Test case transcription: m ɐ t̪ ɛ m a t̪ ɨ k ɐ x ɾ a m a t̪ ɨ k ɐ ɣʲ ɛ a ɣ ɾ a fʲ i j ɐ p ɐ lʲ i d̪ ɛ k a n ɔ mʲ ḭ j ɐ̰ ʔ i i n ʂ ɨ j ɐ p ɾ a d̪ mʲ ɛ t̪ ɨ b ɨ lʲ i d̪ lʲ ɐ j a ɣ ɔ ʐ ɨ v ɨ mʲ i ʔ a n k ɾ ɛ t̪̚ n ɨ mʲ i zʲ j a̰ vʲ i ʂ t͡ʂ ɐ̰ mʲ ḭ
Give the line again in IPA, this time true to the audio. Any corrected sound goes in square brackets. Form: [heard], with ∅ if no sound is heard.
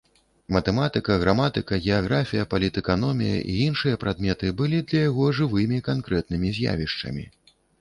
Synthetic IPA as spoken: m ɐ t̪ ɛ m a t̪ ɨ k ɐ [ɣ] ɾ a m a t̪ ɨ k ɐ ɣʲ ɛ a ɣ ɾ a fʲ i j ɐ p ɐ lʲ i [t̪] ɛ k a n ɔ mʲ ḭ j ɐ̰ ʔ i i n ʂ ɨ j ɐ p ɾ a d̪ mʲ ɛ t̪ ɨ b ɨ lʲ i d̪ lʲ ɐ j a ɣ ɔ ʐ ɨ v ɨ mʲ i [k] a n k ɾ ɛ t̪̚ n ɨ mʲ i zʲ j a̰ vʲ i ʂ t͡ʂ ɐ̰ mʲ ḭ